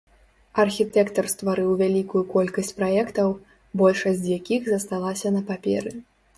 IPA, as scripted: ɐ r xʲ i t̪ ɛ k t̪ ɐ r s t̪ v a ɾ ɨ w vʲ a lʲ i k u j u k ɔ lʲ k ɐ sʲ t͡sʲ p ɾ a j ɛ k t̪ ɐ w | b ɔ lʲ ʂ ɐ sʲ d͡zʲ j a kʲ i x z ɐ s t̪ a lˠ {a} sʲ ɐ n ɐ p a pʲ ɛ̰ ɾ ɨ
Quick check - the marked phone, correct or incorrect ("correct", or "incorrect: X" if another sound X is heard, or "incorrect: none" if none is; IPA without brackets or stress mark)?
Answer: correct